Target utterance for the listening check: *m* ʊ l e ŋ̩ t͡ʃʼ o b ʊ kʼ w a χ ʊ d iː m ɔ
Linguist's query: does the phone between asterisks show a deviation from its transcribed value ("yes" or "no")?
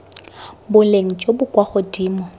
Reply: yes